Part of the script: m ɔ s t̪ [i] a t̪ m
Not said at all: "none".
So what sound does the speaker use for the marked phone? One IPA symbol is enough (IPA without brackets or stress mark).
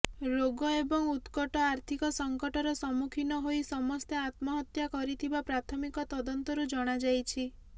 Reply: e